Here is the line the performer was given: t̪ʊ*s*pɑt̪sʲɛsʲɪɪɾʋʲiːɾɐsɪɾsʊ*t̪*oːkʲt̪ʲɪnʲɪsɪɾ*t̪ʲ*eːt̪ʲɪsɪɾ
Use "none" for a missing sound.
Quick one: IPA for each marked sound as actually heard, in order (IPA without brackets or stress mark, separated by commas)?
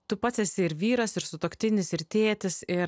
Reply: none, t̪, t̪ʲ